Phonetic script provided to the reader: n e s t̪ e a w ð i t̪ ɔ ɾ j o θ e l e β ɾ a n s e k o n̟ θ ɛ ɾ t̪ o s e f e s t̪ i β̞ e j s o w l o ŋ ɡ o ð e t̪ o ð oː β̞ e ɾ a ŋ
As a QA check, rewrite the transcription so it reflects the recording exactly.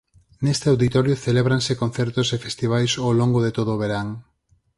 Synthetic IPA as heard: n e s t̪ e a w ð i t̪ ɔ ɾ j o θ e l e β ɾ a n s e k o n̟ θ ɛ ɾ t̪ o s e f e s t̪ i β̞ a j s o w l o ŋ ɡ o ð e t̪ o ð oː β̞ e ɾ a ŋ